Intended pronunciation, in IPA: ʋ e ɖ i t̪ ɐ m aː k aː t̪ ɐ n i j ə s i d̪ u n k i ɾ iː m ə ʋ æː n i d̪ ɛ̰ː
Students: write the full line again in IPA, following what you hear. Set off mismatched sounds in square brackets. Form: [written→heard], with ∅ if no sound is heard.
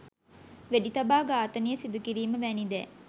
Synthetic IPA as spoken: ʋ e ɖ i t̪ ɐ [m→b] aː [k→ɡ] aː t̪ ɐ n i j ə s i d̪ u [n→∅] k i ɾ iː m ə ʋ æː n i d̪ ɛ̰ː